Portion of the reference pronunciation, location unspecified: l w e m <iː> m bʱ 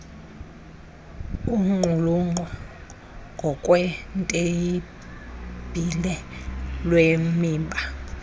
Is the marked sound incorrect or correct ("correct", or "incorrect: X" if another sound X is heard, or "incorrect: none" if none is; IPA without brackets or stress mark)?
correct